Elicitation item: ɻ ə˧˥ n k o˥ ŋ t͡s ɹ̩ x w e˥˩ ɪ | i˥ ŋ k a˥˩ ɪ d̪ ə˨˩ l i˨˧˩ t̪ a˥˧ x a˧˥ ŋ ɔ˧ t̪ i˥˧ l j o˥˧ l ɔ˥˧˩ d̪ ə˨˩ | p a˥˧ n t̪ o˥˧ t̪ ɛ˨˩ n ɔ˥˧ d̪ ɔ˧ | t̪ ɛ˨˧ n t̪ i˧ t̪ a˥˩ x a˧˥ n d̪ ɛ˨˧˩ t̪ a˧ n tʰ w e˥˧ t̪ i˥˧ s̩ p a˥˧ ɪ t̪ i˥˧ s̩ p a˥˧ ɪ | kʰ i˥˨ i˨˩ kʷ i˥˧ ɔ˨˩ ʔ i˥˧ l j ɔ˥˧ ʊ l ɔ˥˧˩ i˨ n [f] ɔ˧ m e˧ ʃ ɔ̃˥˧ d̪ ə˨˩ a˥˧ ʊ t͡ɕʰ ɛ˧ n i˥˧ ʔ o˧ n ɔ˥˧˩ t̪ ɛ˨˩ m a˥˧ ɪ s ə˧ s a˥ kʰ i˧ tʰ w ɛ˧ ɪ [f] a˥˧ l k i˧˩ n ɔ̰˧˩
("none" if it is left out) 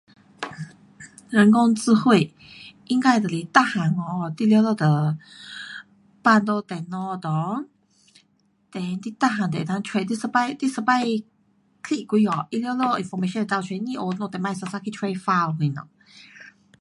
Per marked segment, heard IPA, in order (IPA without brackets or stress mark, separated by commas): f, f